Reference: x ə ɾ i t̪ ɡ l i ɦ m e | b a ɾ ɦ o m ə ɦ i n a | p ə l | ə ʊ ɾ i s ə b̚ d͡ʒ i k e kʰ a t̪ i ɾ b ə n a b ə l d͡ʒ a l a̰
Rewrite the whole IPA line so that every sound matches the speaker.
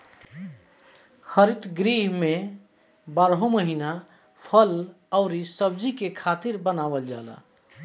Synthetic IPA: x ə ɾ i t̪ ɡ ɾ i ɦ m e | b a ɾ ɦ o m ə ɦ i n a | pʰ ə l | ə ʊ ɾ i s ə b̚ d͡ʒ i k e kʰ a t̪ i ɾ b ə n a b ə l d͡ʒ a l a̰